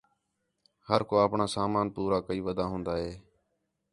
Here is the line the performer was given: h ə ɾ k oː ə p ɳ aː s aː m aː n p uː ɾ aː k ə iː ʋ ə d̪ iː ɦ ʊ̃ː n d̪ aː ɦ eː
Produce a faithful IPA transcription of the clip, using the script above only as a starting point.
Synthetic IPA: h ə ɾ k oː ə p ɳ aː s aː m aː n p uː ɾ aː k ə iː ʋ ə d̪ aː ɦ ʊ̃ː n d̪ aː ɦ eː